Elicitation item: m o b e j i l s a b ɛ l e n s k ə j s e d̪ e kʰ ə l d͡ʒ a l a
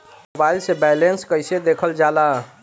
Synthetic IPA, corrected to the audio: m o b a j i l s e b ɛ l e n s k ə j s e d̪ e kʰ ə l d͡ʒ a l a